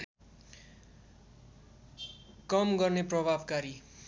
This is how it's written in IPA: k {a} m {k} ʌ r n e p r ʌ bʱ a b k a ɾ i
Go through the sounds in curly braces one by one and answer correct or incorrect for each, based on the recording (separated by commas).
incorrect, incorrect